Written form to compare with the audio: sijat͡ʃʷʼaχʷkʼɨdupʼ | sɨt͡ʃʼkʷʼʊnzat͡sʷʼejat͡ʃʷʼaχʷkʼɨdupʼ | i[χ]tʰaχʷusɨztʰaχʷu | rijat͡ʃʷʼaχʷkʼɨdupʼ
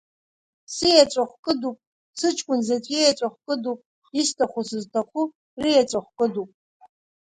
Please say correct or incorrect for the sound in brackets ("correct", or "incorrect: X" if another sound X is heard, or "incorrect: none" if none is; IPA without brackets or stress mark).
incorrect: s